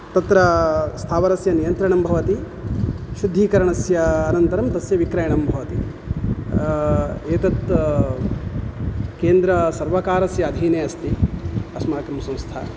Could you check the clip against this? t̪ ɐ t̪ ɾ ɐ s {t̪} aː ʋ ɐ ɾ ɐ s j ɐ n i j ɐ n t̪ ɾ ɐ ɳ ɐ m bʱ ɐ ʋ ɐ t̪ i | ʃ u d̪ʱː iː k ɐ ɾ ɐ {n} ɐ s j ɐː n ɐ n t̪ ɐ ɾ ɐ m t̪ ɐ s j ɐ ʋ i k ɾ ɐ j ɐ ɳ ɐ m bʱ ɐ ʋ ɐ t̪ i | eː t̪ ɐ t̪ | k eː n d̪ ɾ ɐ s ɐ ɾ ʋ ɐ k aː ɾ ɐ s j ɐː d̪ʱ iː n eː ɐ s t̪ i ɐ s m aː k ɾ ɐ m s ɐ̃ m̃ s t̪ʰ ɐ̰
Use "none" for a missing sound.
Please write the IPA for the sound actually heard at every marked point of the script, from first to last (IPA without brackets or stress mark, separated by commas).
t̪ʰ, ɳ